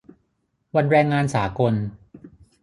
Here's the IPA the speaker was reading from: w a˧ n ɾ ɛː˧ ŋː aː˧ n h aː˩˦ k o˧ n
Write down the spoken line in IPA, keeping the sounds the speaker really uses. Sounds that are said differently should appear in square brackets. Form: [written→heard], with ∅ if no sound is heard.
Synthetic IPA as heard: w a˧ n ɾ ɛː˧ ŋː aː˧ n [h→s] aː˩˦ k o˧ n